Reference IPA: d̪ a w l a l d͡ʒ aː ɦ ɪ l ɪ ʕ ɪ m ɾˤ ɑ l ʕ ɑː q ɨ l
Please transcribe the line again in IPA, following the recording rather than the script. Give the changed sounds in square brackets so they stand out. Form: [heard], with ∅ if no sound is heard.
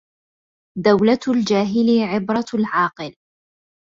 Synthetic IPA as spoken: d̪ a w l a l d͡ʒ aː ɦ ɪ l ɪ ʕ ɪ [b] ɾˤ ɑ l ʕ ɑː q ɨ l